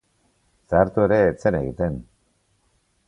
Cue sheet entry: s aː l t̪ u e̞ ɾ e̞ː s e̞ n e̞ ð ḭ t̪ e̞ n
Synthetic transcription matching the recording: s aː ɾ t̪ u e̞ ɾ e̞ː t͡s e̞ n e̞ ɣ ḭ t̪ e̞ n